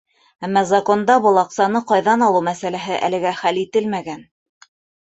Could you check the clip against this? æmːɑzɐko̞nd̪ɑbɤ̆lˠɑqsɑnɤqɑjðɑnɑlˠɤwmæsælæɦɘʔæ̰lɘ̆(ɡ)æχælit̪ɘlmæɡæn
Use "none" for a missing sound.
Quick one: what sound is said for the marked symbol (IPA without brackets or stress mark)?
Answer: ɡ